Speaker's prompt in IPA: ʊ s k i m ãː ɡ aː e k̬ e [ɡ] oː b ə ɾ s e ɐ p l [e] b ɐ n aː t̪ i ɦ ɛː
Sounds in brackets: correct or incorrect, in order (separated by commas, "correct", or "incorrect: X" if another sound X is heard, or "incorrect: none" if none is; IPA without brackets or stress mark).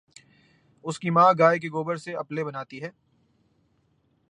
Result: correct, correct